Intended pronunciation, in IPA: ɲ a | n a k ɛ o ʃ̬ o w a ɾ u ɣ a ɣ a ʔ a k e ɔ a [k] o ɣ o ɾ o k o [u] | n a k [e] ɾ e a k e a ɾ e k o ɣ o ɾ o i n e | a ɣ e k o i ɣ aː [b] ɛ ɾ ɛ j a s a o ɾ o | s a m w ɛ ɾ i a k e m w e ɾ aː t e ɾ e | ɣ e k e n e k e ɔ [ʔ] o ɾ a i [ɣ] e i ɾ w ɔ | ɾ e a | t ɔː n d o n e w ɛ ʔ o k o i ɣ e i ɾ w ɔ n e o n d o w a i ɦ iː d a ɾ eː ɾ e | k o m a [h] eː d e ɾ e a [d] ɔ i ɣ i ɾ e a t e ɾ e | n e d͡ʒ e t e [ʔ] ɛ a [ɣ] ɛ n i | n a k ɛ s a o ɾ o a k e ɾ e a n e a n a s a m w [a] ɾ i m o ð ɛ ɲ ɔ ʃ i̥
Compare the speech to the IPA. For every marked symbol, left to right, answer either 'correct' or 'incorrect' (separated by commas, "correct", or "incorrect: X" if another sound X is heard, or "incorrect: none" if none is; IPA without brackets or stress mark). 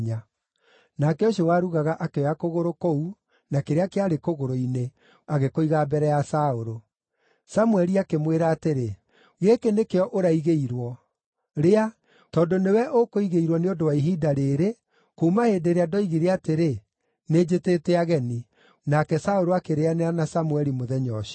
correct, correct, correct, correct, correct, correct, correct, correct, incorrect: t, correct, incorrect: ɛ